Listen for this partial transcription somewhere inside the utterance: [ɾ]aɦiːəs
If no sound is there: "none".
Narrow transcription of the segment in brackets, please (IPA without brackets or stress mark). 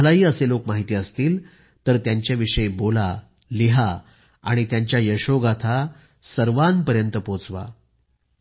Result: l